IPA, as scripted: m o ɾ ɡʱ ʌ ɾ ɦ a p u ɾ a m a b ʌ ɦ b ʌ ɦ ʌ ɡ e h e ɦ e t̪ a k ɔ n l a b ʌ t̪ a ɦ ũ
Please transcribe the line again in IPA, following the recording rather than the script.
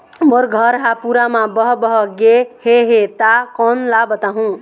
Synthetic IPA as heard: m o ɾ ɡʱ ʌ ɾ ɦ a p u ɾ a m a b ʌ ɦ b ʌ ɦ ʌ ɡ e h e ɦ e t̪ a k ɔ n l a b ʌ t̪ a ɦ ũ